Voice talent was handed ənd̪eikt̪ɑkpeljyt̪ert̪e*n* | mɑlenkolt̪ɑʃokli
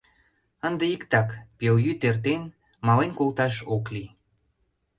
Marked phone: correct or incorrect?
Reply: correct